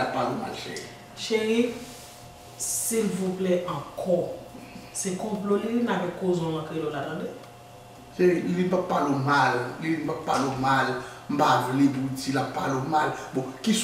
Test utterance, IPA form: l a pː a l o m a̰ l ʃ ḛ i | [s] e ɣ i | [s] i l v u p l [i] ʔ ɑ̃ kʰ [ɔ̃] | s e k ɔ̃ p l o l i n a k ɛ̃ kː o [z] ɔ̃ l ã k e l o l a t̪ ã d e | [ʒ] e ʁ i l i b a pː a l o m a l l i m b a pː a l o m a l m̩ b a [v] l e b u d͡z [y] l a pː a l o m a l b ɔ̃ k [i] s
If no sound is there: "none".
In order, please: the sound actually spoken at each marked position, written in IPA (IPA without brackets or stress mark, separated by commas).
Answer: ʃ, s, ɛ, ɔ, z, ʃ, v, i, i